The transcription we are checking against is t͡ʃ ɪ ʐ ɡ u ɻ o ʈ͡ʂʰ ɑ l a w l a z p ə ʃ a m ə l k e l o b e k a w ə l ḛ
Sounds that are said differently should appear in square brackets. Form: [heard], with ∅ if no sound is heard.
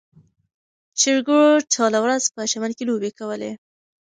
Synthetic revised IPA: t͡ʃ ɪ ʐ ɡ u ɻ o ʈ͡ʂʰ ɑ l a w [ɾ] a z p ə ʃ a m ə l k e l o b e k a w ə l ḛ